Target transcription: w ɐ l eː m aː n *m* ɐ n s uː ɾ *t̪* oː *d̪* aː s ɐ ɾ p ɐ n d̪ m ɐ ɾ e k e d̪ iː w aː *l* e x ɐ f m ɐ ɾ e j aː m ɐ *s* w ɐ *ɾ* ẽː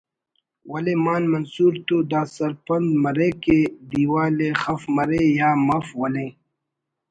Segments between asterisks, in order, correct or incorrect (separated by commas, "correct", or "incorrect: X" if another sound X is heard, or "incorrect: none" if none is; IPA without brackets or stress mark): correct, correct, correct, correct, incorrect: f, incorrect: l